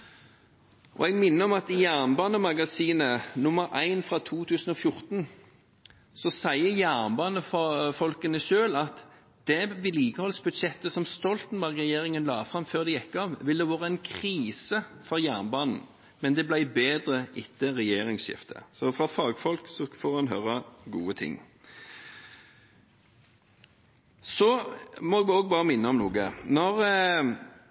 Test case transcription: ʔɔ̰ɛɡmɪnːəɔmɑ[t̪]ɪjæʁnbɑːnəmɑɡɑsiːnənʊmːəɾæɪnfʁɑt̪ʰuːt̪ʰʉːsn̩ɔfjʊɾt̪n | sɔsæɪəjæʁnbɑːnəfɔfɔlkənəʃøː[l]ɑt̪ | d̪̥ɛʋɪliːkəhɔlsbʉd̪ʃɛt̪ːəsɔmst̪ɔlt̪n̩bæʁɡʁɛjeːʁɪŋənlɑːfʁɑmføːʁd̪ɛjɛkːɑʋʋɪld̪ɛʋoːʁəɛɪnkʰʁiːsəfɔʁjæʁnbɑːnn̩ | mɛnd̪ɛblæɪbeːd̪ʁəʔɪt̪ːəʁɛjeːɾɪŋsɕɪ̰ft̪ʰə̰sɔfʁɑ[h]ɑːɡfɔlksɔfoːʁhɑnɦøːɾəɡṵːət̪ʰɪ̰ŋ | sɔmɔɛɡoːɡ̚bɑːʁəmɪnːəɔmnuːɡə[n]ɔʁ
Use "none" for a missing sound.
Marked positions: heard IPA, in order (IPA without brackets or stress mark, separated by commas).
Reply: t̪, l, f, n